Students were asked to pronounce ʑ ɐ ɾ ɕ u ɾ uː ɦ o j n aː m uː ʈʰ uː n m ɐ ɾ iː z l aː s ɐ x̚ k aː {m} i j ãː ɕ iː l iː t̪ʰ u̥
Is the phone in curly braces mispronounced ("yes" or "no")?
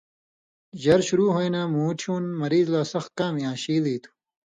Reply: no